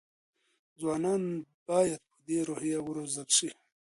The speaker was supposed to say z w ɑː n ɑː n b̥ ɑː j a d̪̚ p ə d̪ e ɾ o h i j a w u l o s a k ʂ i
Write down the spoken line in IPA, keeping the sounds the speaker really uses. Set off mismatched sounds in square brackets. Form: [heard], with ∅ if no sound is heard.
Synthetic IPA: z w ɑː n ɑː n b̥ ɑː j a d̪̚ p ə d̪ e ɾ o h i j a w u [ɾ] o [z] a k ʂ i